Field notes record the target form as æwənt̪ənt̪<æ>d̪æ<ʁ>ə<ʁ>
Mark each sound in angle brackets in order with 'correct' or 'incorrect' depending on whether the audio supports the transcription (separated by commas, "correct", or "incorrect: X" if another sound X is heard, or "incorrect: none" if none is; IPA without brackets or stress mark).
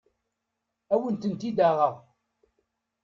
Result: incorrect: i, correct, correct